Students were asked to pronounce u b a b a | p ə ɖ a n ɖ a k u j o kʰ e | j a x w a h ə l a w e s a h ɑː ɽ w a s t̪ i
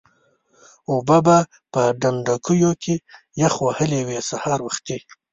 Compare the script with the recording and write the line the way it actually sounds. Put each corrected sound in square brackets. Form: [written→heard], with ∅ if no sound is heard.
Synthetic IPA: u b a b a | p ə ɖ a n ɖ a k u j o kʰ e | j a x w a h ə l [a→e] w e s a h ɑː [ɽ→ɾ] w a [s→x] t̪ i

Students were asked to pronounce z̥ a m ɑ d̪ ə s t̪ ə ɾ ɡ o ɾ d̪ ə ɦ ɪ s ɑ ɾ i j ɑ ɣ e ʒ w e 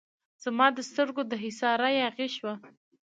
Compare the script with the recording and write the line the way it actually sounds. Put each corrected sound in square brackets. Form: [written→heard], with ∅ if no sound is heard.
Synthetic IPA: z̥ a m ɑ d̪ ə s t̪ ə ɾ ɡ o [ɾ→∅] d̪ ə ɦ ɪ s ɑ ɾ [i→a] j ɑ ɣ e [ʒ→ʃ] w [e→a]

